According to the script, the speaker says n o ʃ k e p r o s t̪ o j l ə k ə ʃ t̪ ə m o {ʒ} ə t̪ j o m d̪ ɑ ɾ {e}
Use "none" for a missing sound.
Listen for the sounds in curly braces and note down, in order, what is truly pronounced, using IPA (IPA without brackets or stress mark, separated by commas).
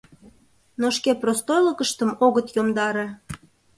ɣ, e